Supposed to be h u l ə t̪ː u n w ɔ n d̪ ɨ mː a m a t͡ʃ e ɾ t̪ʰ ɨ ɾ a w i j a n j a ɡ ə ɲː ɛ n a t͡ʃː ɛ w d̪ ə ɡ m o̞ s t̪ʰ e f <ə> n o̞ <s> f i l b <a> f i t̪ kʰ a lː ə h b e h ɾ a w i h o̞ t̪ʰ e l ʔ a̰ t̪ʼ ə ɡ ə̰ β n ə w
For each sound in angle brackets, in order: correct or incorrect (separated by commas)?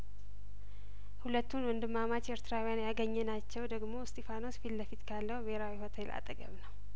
incorrect, correct, incorrect